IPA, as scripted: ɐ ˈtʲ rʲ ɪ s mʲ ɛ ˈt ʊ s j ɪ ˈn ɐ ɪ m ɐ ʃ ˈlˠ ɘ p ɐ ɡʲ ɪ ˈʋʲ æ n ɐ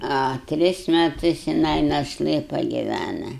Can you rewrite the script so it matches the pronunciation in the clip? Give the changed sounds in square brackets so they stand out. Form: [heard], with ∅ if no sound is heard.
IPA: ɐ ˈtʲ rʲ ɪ s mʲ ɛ ˈt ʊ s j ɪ ˈn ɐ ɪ [n] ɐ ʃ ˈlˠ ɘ p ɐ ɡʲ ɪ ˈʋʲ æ n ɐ